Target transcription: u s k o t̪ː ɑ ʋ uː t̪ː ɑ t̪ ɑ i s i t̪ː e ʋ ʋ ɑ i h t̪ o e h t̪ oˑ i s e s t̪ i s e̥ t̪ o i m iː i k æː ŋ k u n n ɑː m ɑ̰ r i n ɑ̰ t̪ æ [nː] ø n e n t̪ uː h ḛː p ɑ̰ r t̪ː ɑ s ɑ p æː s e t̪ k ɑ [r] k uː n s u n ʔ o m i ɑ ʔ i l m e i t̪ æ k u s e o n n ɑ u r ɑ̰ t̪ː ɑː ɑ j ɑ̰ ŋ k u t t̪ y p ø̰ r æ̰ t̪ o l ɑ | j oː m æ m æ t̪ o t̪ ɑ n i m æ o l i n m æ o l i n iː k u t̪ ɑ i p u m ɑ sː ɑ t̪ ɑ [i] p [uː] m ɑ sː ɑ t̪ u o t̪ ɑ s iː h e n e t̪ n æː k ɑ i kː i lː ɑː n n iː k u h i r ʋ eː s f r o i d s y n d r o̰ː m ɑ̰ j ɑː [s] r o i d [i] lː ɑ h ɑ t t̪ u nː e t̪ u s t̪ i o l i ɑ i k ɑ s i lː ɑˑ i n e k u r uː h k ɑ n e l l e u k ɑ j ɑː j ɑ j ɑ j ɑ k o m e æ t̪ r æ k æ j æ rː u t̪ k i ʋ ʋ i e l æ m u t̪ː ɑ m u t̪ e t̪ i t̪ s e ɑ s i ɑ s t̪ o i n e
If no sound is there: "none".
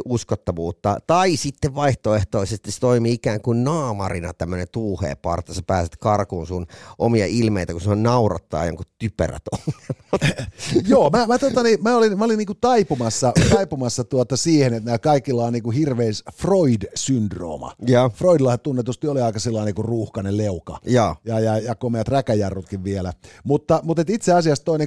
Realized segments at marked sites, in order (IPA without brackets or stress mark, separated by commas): mː, r, i, u, f, i